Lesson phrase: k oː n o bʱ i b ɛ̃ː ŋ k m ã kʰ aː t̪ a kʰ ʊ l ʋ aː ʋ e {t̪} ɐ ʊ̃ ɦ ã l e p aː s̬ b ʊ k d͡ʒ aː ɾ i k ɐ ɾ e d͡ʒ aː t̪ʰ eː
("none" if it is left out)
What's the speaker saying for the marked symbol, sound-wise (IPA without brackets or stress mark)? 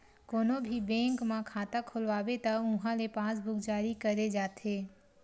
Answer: t̪